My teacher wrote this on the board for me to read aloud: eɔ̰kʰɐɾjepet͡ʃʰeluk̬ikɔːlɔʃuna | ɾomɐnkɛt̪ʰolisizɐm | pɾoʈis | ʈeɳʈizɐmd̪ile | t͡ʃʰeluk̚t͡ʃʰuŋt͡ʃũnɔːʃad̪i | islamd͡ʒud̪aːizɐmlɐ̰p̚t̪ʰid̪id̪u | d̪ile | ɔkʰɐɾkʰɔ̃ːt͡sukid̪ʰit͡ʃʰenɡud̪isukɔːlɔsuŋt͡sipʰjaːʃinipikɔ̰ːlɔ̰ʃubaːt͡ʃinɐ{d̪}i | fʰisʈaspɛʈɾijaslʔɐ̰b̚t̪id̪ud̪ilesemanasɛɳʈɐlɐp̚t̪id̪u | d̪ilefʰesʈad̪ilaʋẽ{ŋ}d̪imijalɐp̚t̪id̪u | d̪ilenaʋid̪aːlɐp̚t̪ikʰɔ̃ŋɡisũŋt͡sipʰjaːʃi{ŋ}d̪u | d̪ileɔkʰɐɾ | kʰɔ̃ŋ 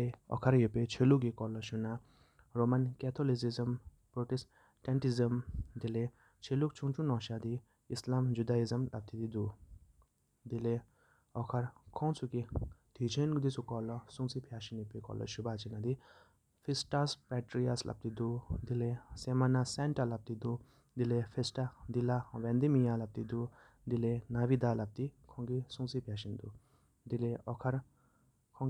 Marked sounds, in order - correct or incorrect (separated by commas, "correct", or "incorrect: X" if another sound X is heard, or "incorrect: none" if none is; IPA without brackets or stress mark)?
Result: correct, incorrect: n, incorrect: n